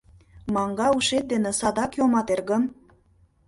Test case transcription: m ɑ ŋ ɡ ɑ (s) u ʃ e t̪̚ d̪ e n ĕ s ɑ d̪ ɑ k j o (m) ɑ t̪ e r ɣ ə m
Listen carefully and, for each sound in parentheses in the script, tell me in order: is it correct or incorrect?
incorrect, correct

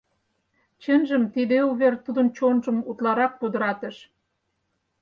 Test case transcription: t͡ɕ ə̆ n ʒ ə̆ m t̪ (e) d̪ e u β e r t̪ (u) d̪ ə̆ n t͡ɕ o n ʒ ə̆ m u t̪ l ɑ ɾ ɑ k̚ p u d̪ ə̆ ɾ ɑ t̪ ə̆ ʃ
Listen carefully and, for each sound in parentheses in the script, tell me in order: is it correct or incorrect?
incorrect, correct

